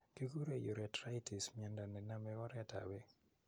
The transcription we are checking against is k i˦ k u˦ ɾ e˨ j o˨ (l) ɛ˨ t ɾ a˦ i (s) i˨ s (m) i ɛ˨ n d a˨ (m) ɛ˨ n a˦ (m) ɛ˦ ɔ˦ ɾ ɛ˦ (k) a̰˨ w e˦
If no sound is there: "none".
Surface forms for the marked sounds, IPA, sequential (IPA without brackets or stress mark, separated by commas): ɾ, t, m, n, m, t